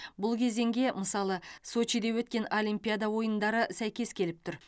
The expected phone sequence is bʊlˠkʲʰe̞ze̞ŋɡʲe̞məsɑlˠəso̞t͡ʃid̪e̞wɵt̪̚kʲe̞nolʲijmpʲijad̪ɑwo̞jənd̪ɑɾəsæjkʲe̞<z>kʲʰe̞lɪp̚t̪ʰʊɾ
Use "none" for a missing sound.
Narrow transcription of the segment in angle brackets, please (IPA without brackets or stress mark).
s